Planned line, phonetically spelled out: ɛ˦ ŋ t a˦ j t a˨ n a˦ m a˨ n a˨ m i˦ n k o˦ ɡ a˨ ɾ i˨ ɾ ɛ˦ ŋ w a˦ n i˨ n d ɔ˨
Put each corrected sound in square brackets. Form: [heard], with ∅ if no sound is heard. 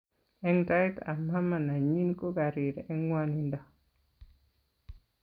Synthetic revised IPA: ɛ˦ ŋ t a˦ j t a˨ [m] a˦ m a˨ n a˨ [ɲ] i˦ n k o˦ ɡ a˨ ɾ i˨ ɾ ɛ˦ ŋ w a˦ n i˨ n d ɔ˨